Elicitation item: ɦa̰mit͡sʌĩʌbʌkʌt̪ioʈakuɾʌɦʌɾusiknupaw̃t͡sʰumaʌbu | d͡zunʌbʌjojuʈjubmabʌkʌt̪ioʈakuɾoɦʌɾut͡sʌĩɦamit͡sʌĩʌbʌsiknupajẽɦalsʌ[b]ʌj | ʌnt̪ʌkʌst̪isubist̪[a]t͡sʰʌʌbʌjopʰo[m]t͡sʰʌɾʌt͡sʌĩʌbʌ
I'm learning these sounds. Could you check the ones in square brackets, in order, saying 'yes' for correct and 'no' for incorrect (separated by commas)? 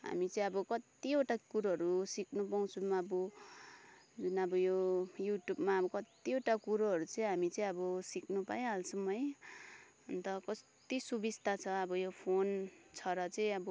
no, yes, no